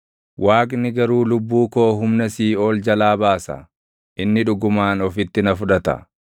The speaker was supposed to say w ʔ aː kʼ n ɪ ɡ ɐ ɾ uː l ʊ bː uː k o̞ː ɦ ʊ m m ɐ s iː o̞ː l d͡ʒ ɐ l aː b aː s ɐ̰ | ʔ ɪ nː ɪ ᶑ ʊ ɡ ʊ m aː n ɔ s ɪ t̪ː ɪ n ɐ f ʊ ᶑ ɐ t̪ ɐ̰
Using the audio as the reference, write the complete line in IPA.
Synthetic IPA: w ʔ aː kʼ n ɪ ɡ ɐ ɾ uː l ʊ bː uː k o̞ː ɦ ʊ m n ɐ s iː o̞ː l d͡ʒ ɐ l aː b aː s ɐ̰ | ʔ ɪ nː ɪ ᶑ ʊ ɡ ʊ m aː n ɔ f ɪ t̪ː ɪ n ɐ f ʊ ᶑ ɐ t̪ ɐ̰